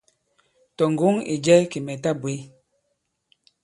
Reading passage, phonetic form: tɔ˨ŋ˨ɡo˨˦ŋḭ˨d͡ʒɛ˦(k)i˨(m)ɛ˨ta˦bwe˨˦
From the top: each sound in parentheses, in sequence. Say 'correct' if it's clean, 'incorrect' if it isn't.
correct, correct

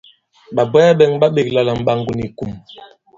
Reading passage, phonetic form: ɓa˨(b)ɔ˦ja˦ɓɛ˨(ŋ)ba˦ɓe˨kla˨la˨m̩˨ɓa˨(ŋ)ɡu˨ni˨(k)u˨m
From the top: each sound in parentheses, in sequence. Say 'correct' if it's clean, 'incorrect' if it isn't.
correct, correct, correct, correct

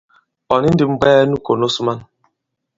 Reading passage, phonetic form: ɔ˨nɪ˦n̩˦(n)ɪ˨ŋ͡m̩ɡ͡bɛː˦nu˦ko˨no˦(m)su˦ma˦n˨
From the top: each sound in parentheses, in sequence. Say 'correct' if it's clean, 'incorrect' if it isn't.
incorrect, incorrect

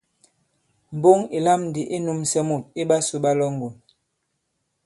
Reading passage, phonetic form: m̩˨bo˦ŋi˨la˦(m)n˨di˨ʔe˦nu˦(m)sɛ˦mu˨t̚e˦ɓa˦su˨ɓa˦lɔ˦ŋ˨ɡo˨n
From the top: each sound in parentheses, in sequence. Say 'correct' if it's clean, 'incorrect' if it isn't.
correct, correct

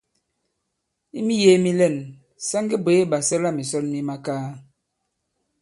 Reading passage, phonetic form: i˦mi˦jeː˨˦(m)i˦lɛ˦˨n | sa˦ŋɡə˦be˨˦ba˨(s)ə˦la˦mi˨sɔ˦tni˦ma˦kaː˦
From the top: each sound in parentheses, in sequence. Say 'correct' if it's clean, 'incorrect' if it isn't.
correct, correct

